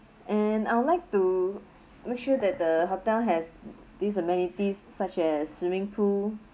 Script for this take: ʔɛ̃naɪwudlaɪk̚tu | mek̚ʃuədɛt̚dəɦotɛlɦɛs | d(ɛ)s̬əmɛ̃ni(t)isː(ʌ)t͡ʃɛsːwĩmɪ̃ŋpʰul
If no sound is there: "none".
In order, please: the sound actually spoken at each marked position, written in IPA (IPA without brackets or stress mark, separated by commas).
i, t, a